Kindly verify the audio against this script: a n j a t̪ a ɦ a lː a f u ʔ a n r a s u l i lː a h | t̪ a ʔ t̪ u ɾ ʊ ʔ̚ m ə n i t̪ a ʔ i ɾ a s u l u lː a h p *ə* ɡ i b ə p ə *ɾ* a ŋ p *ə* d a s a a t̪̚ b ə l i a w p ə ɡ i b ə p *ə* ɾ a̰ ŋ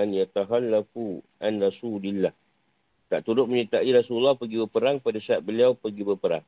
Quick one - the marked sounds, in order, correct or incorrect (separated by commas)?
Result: correct, correct, incorrect, correct